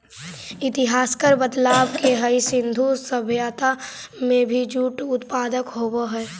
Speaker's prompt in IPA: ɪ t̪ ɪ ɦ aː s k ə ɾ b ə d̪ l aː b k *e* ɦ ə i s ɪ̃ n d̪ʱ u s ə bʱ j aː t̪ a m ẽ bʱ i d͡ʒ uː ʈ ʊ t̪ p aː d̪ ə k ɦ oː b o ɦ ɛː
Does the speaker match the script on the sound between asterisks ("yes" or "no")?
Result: yes